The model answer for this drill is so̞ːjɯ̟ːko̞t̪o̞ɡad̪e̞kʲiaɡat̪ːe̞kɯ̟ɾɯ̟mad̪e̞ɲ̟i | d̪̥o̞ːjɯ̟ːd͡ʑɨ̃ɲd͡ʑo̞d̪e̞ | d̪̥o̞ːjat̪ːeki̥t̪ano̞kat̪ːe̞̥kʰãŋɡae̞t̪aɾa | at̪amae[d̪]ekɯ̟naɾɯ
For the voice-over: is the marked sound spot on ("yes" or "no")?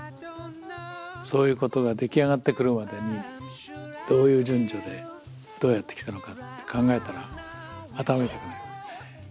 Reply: no